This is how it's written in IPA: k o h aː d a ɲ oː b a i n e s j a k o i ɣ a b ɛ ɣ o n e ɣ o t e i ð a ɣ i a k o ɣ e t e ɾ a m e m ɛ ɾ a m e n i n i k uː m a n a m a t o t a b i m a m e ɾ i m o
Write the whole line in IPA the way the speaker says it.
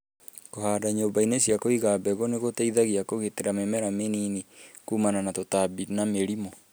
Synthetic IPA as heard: k o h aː d a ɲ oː b a i n e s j a k o i ɣ a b ɛ ɣ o n e ɣ o t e i ð a ɣ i a k o ɣ e t e ɾ a m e m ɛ ɾ a m e n i n i k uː m a n a n a t o t a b i n a m e ɾ i m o